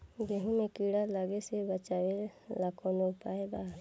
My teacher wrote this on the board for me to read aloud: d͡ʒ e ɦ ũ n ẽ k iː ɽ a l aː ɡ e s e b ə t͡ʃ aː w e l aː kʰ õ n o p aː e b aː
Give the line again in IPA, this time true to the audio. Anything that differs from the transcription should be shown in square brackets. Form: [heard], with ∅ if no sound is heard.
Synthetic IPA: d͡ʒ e ɦ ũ [m] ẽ k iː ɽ a l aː ɡ e s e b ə t͡ʃ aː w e l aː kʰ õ n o p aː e b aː